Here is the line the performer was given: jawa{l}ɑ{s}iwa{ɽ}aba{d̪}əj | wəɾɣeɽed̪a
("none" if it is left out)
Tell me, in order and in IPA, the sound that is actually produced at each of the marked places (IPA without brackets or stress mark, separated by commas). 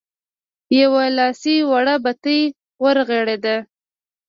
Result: l, s, ɽ, t̪